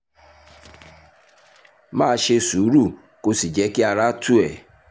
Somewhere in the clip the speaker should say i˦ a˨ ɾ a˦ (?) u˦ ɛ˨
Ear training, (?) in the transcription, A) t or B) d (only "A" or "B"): A